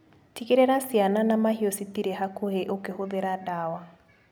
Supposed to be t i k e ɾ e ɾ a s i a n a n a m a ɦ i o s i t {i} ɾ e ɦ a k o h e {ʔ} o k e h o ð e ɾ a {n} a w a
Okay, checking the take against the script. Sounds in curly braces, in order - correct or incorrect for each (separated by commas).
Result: correct, correct, incorrect